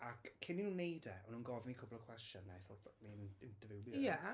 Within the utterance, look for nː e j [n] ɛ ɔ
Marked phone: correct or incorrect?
incorrect